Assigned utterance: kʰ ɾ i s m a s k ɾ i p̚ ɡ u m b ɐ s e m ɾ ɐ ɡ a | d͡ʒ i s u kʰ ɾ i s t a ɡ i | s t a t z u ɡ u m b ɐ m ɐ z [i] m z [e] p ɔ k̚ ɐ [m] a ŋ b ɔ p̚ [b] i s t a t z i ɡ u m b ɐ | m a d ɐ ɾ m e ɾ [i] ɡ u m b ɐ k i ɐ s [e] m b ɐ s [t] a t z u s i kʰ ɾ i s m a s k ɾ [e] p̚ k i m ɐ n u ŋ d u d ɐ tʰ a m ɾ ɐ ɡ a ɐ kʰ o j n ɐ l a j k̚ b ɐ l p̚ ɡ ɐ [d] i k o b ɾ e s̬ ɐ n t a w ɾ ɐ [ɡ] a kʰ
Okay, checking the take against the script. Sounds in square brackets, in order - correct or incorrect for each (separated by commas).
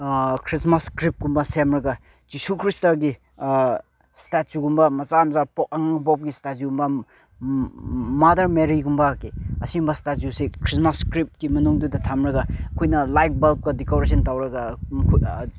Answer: incorrect, incorrect, incorrect, incorrect, correct, incorrect, correct, incorrect, correct, correct